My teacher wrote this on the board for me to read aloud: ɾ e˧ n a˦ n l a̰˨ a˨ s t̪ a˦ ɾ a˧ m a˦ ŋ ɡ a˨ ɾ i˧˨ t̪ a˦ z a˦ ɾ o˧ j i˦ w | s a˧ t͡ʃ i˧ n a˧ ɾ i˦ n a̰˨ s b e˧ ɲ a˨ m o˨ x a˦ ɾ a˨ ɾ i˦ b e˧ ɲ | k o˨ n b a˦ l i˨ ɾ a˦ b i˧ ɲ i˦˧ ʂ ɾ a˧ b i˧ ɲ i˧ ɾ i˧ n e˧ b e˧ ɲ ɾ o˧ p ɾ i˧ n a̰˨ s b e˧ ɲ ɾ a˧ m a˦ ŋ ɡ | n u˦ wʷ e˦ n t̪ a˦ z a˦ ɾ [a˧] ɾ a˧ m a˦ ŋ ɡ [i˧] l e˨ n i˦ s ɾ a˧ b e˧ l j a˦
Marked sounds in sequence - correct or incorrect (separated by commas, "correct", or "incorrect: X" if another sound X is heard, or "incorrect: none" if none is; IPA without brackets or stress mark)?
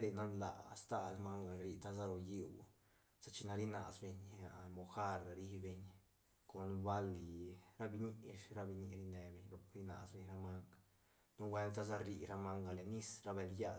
incorrect: i˧, incorrect: a˧